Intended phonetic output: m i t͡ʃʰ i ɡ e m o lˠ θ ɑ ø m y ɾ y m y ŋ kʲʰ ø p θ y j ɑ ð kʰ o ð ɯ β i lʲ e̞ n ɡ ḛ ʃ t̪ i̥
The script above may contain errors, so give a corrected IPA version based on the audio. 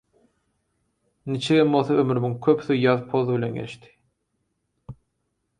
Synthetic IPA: n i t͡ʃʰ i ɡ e m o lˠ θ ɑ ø m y ɾ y m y ŋ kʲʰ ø p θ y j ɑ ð pʰ o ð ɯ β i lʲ e̞ n ɡ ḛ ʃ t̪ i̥